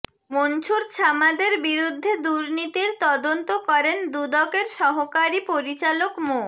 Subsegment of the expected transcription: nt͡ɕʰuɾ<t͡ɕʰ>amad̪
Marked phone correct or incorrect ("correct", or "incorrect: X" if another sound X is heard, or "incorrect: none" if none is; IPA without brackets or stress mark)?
correct